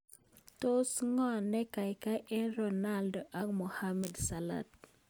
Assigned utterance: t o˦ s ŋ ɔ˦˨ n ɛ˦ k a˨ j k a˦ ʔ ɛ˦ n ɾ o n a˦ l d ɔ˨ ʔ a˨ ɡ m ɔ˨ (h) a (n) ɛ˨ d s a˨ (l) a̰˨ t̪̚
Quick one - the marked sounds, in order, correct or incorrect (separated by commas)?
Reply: correct, incorrect, correct